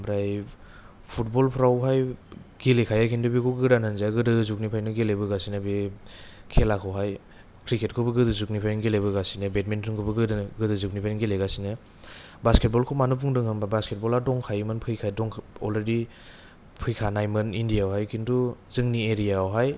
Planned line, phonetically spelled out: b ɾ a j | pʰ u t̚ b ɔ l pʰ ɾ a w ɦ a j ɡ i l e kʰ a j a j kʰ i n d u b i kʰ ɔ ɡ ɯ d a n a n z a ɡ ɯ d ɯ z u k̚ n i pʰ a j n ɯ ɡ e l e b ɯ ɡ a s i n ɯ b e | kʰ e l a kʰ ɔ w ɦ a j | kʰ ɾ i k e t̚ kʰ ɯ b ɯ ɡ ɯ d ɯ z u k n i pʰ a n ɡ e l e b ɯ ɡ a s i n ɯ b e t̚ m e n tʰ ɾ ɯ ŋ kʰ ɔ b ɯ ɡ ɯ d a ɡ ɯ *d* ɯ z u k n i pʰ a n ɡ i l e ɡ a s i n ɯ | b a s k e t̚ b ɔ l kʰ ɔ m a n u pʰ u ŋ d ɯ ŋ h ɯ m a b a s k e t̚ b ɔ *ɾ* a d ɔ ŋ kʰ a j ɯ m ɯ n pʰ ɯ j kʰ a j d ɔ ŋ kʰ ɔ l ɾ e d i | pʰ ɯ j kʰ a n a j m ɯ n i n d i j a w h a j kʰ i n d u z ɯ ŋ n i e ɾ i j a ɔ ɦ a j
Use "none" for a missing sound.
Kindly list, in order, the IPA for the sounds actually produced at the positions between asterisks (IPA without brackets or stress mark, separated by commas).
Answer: d, l